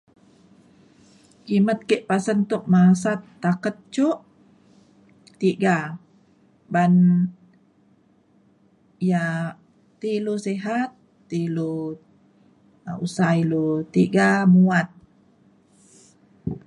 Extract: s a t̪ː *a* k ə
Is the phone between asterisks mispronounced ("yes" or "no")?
no